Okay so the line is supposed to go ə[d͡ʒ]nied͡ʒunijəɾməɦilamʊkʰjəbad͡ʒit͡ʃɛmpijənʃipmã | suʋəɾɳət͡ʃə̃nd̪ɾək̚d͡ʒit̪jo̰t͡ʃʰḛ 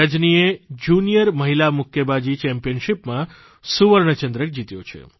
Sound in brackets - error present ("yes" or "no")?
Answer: no